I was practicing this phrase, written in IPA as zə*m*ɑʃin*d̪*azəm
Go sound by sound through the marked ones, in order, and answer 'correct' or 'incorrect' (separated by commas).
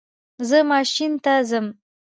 correct, incorrect